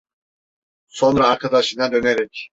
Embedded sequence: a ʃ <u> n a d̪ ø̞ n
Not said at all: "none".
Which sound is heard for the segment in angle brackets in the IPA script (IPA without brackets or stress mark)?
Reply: ɯ